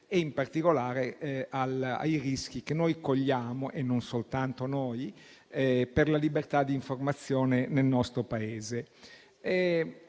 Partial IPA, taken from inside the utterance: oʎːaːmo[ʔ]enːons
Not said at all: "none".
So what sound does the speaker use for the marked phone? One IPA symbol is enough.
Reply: ʔ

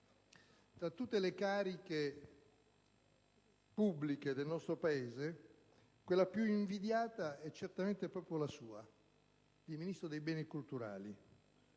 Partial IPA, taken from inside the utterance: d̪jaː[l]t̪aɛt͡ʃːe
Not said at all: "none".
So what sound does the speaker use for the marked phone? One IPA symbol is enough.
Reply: none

